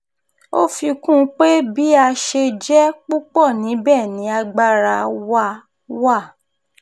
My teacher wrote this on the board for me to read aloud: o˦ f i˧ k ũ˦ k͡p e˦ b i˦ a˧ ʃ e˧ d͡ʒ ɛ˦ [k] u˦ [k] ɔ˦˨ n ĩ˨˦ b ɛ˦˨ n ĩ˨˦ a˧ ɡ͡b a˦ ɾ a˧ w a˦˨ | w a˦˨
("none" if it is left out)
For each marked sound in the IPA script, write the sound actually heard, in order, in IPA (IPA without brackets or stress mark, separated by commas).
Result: k͡p, k͡p